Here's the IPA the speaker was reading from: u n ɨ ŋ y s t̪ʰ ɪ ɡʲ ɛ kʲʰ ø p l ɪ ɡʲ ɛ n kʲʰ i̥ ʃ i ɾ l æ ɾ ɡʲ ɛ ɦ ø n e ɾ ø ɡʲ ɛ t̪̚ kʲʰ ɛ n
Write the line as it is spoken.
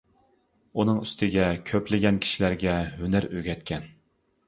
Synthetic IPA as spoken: u n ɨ ŋ y s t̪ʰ ɪ ɡʲ ɛ kʲʰ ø p l ɪ ɡʲ ɛ n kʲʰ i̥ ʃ i l æ ɾ ɡʲ ɛ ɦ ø n æ ɾ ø ɡʲ ɛ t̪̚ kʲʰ ɛ n